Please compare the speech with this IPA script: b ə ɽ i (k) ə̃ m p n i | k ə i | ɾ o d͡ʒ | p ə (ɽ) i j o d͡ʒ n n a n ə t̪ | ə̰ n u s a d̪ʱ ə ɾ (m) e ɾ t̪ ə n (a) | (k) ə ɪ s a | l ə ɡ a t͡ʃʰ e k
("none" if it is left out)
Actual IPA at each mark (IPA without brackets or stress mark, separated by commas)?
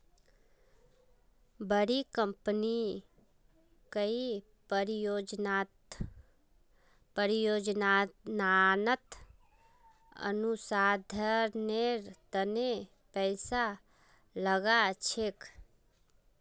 k, ɾ, n, e, p